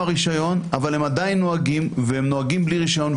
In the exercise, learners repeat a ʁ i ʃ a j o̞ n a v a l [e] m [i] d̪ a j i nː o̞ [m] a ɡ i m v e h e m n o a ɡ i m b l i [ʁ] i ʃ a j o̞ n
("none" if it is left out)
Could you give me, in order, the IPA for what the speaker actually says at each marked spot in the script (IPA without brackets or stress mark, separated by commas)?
e, a, none, ʁ